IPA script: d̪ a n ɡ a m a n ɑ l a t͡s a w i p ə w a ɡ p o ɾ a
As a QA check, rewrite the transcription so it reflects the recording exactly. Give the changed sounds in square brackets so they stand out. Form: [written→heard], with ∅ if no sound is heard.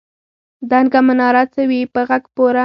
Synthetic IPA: d̪ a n ɡ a m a n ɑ [l→ɾ] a t͡s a w i p ə [w→ɣ] a ɡ p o ɾ a